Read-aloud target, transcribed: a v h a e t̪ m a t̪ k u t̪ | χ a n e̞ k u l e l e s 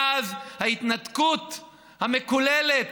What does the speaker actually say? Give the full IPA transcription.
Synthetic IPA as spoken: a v h a i t̪ n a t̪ k u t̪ | h a m e̞ k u l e l e t